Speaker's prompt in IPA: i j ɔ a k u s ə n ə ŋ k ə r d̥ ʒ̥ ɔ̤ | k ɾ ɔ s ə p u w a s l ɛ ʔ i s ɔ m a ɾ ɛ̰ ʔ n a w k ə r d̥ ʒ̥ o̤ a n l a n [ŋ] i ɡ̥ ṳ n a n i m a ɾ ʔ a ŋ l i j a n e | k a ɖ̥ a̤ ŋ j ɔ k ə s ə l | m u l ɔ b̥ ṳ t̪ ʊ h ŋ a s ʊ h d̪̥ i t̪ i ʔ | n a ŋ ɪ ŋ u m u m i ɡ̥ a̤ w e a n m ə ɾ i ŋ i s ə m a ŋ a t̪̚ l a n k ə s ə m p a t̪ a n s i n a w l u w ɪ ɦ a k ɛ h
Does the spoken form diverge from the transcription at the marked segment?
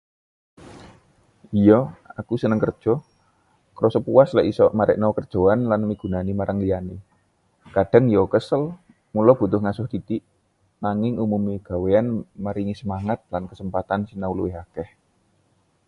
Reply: yes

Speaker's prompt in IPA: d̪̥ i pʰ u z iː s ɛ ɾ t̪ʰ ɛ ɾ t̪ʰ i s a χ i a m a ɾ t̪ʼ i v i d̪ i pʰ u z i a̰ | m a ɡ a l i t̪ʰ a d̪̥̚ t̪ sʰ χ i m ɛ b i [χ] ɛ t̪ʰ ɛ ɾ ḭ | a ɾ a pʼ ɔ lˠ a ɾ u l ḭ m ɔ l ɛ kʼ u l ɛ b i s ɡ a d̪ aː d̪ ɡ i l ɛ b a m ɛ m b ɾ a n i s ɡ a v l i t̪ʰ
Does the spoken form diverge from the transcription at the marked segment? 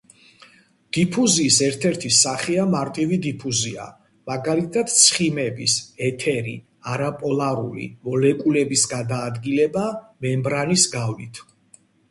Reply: yes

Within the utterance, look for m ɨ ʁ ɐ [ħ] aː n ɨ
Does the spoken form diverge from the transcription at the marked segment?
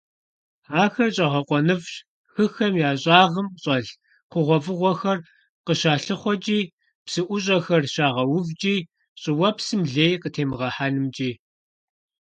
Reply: no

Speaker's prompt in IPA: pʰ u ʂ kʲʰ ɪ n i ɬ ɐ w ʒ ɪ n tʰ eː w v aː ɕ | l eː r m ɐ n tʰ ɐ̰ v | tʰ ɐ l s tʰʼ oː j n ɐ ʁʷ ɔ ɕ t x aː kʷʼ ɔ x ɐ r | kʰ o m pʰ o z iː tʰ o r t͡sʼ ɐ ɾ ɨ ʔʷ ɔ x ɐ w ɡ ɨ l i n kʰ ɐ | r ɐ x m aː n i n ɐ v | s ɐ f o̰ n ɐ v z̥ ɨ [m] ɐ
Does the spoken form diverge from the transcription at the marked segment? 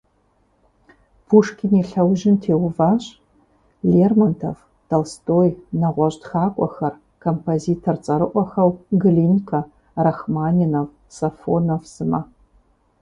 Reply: no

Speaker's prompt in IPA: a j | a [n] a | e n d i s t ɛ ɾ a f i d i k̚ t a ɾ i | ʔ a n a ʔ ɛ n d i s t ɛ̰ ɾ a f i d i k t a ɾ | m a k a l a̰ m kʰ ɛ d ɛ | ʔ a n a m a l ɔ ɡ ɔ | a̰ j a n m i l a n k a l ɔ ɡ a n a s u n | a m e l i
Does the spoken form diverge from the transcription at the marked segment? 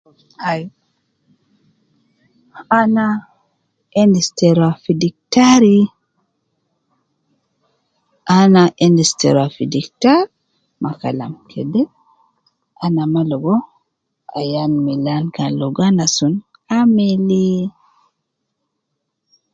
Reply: no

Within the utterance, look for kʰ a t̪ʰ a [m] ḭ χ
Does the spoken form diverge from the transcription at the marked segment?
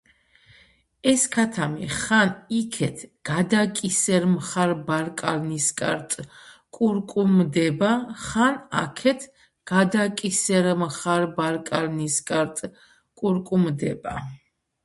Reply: no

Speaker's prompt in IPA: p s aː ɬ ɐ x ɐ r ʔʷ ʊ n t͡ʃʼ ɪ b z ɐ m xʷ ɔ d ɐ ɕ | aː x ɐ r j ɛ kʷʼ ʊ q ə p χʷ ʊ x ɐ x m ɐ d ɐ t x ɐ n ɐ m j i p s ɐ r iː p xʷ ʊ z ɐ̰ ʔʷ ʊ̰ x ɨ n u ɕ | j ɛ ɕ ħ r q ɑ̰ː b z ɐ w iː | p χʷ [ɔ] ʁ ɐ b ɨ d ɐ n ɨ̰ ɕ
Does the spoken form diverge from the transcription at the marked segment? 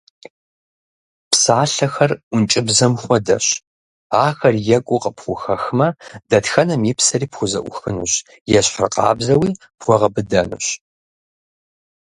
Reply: no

